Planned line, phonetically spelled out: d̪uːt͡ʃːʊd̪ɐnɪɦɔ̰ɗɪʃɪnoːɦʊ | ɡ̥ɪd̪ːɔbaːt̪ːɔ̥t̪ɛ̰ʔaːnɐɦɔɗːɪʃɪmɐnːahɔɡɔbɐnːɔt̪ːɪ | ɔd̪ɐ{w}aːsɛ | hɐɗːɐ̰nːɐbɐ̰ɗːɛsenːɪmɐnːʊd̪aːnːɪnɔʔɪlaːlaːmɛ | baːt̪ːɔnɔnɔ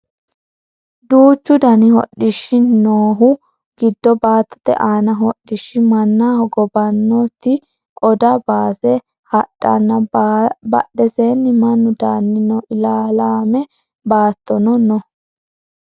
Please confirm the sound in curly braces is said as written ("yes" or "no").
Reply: no